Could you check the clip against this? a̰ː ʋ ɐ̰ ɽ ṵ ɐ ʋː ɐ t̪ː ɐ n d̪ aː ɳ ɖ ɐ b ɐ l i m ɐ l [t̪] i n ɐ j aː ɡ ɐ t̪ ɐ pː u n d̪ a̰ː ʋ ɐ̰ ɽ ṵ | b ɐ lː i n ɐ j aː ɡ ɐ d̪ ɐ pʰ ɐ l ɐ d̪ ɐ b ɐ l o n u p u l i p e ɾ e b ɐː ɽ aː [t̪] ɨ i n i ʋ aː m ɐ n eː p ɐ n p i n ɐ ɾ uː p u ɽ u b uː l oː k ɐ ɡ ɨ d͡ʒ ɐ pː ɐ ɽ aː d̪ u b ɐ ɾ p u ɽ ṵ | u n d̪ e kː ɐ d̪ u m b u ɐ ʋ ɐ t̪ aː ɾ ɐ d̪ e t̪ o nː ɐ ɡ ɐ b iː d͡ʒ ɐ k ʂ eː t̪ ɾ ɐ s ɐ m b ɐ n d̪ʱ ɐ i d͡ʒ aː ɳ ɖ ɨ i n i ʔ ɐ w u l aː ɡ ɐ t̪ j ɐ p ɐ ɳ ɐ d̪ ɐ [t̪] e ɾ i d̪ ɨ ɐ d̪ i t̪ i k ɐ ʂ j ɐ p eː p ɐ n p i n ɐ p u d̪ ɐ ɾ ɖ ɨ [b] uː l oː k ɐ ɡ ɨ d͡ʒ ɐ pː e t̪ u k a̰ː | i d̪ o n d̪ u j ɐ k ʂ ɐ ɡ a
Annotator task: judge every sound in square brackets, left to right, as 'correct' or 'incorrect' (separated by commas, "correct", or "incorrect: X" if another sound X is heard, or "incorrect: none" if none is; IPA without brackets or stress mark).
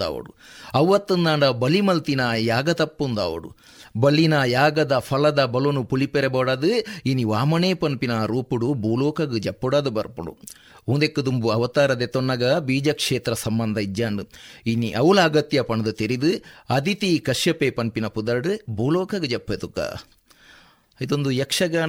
correct, incorrect: d̪, correct, correct